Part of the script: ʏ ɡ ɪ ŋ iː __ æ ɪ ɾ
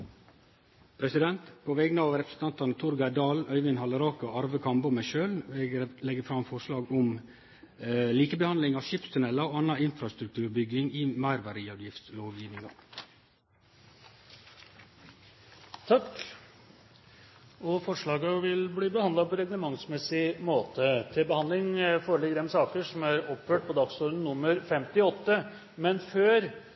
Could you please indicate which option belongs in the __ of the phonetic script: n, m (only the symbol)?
m